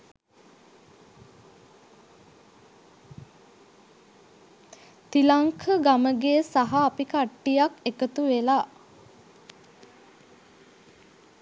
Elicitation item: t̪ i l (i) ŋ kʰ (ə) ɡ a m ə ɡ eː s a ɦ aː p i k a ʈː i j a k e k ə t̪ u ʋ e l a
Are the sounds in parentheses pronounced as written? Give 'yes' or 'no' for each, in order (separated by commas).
no, yes